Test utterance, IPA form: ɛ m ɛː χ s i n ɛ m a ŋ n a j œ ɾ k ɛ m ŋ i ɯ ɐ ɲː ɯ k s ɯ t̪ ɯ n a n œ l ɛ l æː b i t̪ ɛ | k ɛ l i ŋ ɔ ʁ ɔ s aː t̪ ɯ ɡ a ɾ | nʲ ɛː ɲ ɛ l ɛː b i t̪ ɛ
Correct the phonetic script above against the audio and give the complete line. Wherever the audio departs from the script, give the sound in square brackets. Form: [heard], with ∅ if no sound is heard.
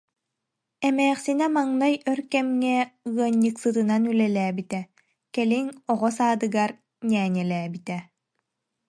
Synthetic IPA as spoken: ɛ m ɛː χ s i n ɛ m a ŋ n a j œ ɾ k ɛ m ŋ [ɛ] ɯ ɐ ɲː ɯ k s ɯ t̪ ɯ n a n [y] l ɛ l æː b i t̪ ɛ | k ɛ l i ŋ ɔ ʁ ɔ s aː [d̪] ɯ ɡ a ɾ | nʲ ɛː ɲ ɛ l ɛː b i t̪ ɛ

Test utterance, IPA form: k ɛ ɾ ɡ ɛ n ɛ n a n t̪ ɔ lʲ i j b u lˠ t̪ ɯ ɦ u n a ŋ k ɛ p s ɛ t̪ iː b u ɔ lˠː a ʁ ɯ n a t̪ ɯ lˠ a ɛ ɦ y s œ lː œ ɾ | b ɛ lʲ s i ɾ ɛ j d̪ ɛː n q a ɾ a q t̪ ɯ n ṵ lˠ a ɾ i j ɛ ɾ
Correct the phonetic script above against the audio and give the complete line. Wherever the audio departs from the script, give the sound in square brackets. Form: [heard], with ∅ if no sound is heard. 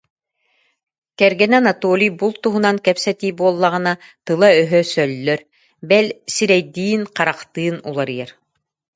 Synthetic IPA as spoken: k ɛ ɾ ɡ ɛ n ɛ n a [∅] t̪ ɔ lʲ i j b u lˠ t̪ [u] ɦ u n a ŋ k ɛ p s ɛ t̪ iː b u ɔ lˠː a ʁ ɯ n a t̪ ɯ lˠ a [œ] ɦ [œ] s œ lː œ ɾ | b ɛ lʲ s i ɾ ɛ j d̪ [iː] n q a ɾ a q t̪ [ɯː] n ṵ lˠ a ɾ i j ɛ ɾ

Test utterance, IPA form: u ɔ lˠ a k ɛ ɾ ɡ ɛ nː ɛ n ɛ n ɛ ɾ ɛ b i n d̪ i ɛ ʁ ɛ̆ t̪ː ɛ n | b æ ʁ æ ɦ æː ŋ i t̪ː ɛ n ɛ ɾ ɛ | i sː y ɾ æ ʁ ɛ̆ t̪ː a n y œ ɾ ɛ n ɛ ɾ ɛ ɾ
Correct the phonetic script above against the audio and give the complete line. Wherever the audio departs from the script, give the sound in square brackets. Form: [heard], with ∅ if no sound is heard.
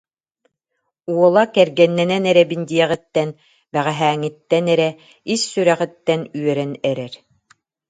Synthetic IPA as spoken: u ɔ lˠ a k ɛ ɾ ɡ ɛ nː ɛ n ɛ n ɛ ɾ ɛ b i n d̪ i ɛ ʁ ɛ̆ t̪ː ɛ n | b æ ʁ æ ɦ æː ŋ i t̪ː ɛ n ɛ ɾ ɛ | i sː y ɾ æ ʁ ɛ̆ t̪ː [ɛ] n y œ ɾ ɛ n ɛ ɾ ɛ ɾ

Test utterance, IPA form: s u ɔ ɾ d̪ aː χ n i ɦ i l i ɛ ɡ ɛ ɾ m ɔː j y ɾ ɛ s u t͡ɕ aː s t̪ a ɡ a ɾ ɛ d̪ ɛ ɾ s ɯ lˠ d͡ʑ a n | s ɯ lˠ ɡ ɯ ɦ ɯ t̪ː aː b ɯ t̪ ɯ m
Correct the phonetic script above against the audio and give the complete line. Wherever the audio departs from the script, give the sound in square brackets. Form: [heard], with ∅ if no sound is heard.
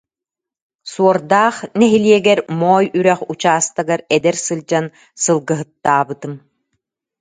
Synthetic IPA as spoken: s u ɔ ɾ d̪ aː χ n [ɛ] ɦ i l i ɛ ɡ ɛ ɾ m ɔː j y ɾ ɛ [χ] u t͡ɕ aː s t̪ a ɡ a ɾ ɛ d̪ ɛ ɾ s ɯ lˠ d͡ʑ a n | s ɯ lˠ ɡ ɯ ɦ ɯ t̪ː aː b ɯ t̪ ɯ m

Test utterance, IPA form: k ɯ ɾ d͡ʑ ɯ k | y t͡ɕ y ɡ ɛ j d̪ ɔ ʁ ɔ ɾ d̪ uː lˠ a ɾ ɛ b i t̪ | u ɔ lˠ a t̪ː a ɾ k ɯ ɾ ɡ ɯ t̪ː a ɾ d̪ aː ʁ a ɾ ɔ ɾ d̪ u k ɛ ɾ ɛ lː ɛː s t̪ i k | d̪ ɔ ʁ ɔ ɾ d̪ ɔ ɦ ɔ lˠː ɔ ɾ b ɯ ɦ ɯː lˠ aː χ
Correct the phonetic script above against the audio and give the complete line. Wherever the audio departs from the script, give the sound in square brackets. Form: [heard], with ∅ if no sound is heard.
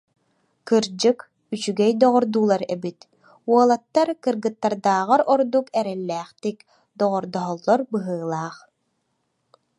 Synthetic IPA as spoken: k ɯ ɾ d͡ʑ ɯ k | y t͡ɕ y ɡ ɛ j d̪ ɔ ʁ ɔ ɾ d̪ uː lˠ a ɾ ɛ b i t̪ | u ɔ lˠ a t̪ː a ɾ k ɯ ɾ ɡ ɯ t̪ː a ɾ d̪ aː ʁ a ɾ ɔ ɾ d̪ u k ɛ ɾ ɛ lː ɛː [χ] t̪ i k | d̪ ɔ ʁ ɔ ɾ d̪ ɔ ɦ ɔ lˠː ɔ ɾ b ɯ ɦ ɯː lˠ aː χ

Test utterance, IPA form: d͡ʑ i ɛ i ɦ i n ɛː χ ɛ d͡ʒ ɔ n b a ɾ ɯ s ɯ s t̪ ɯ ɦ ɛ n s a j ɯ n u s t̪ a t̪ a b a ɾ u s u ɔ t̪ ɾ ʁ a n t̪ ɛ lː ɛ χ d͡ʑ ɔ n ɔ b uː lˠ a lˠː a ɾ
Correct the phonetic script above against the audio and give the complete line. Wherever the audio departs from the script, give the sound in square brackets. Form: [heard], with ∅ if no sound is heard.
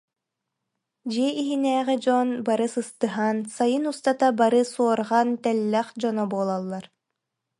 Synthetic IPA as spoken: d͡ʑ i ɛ i ɦ i n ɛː [ʁ] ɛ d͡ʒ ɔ n b a ɾ ɯ s ɯ s t̪ ɯ ɦ [a] n s a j ɯ n u s t̪ a t̪ a b a ɾ [ɯ] s u ɔ [∅] ɾ ʁ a n t̪ ɛ lː ɛ χ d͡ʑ ɔ n ɔ b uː lˠ a lˠː a ɾ

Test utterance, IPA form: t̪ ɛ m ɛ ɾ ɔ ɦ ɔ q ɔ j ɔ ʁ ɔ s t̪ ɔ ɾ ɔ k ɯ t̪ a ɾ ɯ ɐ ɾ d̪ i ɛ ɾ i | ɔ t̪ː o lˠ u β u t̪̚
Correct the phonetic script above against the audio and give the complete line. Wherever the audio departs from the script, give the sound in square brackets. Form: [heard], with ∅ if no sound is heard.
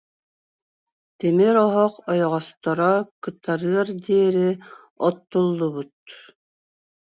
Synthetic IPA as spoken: t̪ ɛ m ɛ ɾ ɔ ɦ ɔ q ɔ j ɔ ʁ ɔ s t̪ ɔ ɾ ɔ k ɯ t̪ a ɾ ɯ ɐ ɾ d̪ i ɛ ɾ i | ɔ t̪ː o [lˠː] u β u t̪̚

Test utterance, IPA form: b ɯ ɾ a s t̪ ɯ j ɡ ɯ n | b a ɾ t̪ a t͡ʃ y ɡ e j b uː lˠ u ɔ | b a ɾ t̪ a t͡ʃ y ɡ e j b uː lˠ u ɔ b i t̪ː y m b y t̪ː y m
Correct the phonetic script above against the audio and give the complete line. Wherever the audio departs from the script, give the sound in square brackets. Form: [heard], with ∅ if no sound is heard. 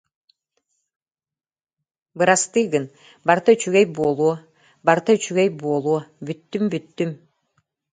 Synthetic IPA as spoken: b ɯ ɾ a s t̪ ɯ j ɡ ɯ n | b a ɾ t̪ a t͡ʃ y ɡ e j b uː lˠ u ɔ | b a ɾ t̪ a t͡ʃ y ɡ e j b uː lˠ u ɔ b [y] t̪ː y m b y t̪ː y m

